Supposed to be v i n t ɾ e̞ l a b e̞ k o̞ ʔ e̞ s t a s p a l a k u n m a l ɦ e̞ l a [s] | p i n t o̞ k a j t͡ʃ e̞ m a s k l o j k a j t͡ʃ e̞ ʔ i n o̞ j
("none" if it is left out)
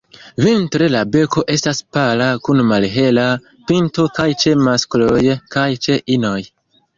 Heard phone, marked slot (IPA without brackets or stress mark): none